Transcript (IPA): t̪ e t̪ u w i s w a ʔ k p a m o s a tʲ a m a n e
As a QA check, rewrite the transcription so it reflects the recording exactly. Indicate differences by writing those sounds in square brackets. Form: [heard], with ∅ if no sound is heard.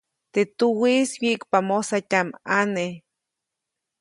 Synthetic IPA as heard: t̪ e t̪ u w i s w [i] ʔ k p a m o s a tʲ a m a n e